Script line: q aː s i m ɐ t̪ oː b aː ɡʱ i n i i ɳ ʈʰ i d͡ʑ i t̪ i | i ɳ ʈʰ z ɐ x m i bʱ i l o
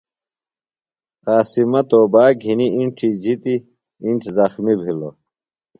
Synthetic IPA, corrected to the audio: q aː s i m ɐ t̪ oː b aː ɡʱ i n i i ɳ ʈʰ i d͡ʑ i t̪ i | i ɳ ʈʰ z ɐ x m i bʱ i l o